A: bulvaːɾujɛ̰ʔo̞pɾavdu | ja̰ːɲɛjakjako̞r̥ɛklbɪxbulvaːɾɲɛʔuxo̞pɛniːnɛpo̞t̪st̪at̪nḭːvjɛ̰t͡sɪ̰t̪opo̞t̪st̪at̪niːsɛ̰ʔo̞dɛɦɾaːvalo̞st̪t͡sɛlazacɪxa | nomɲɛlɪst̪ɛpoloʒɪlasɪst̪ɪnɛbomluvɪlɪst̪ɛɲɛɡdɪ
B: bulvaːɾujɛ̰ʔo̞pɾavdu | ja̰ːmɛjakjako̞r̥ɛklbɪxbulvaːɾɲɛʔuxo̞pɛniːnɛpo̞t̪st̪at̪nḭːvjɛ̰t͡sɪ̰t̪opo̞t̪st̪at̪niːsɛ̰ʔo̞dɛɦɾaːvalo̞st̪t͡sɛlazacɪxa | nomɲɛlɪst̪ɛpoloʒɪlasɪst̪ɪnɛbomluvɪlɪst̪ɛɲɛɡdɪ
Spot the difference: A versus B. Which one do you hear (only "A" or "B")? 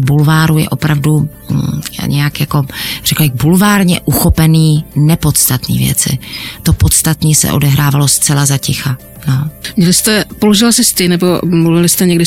A